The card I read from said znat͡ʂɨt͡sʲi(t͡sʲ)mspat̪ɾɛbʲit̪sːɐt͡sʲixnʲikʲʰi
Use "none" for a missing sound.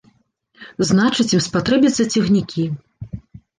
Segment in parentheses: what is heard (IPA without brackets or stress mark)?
none